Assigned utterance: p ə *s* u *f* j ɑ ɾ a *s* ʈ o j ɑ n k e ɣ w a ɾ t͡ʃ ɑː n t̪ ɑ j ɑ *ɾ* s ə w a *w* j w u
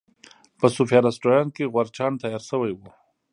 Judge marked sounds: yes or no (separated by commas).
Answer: yes, yes, yes, yes, no